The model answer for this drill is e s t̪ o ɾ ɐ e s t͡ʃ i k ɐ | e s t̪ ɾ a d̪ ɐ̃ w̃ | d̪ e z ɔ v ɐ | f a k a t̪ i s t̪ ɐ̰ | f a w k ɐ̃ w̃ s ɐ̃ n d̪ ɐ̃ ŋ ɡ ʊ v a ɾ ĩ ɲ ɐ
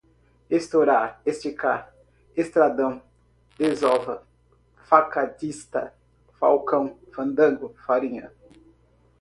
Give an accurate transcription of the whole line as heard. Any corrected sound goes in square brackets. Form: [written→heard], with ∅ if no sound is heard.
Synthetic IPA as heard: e s t̪ o ɾ [ɐ→a] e s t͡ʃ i k [ɐ→a] | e s t̪ ɾ a d̪ ɐ̃ w̃ | d̪ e z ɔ v ɐ | f a k a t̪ i s t̪ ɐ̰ | f a w k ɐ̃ w̃ [s→f] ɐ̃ n d̪ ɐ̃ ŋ ɡ ʊ [v→f] a ɾ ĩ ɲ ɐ